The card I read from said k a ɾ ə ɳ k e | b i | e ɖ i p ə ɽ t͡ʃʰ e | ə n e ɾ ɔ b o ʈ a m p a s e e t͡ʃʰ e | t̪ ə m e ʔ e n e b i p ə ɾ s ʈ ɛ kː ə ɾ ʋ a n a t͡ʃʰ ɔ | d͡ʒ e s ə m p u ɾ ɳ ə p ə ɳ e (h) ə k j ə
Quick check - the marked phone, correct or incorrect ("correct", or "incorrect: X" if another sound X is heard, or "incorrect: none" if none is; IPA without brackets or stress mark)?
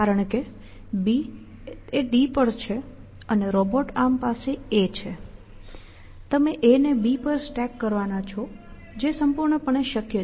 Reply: incorrect: ʃ